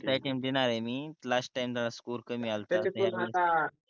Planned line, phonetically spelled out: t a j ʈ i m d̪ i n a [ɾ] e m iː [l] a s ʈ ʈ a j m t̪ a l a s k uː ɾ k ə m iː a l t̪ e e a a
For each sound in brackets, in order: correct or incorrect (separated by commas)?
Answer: correct, correct